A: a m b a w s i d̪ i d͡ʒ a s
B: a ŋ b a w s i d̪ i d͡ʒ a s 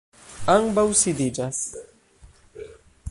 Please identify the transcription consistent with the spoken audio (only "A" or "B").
B